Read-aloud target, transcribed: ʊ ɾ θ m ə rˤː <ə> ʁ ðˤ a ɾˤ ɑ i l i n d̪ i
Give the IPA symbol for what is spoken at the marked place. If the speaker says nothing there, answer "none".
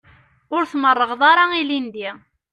ə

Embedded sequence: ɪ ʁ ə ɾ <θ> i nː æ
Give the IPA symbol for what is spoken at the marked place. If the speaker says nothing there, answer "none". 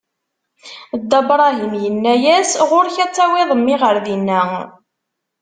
ð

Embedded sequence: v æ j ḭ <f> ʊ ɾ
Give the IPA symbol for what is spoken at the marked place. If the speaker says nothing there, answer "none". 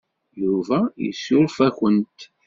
s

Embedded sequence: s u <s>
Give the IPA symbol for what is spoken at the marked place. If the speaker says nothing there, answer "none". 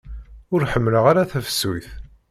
θ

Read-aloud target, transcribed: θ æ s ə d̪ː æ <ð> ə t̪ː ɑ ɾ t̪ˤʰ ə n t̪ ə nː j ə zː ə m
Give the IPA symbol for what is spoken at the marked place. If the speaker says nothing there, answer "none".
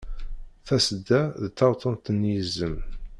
ð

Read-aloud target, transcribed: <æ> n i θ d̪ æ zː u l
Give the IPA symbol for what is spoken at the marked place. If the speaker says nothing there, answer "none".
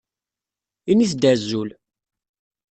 i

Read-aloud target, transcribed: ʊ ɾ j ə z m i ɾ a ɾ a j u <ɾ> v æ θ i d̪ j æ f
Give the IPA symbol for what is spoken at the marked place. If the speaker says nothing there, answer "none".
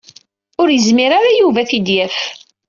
none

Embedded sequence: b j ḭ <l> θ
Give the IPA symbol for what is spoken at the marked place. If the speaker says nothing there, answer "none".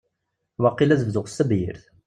ɾ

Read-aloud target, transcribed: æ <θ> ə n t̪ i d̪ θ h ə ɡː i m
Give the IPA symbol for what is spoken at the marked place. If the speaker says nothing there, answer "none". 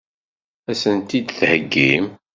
s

